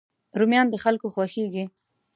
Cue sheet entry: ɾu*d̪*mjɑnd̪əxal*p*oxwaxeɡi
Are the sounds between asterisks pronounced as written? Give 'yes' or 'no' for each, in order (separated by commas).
no, no